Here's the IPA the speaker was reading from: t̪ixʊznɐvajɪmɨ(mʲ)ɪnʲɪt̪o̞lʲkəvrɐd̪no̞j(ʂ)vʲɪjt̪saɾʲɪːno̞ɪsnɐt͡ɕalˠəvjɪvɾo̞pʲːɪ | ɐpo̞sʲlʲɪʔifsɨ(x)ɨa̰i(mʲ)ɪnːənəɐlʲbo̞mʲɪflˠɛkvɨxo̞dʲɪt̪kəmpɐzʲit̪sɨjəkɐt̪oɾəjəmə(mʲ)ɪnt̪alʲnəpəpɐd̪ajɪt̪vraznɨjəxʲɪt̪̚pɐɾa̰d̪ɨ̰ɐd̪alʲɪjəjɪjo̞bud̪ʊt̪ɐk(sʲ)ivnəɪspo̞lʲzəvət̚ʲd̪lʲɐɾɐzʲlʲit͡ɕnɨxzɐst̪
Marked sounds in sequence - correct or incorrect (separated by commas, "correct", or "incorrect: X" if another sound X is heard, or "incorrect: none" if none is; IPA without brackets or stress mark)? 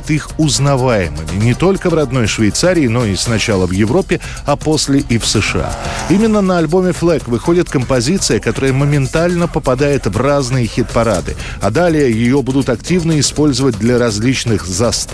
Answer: correct, correct, incorrect: ʂ, correct, correct, incorrect: tʲ